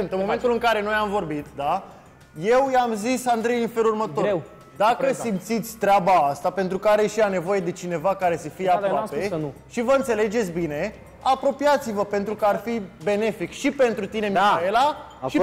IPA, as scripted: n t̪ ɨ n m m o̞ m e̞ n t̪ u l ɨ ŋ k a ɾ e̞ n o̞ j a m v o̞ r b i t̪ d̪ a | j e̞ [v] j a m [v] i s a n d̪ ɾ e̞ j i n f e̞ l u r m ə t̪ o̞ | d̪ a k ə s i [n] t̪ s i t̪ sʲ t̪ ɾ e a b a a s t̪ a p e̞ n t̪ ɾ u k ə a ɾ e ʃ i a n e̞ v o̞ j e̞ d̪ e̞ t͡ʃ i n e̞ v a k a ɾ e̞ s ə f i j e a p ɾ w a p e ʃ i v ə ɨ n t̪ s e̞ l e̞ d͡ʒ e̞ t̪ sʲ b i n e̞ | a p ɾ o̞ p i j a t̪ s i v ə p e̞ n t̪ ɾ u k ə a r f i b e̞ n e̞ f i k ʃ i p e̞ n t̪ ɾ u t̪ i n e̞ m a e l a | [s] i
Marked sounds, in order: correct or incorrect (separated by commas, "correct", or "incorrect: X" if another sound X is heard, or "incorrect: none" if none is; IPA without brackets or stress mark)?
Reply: incorrect: w, incorrect: z, incorrect: m, incorrect: ʃ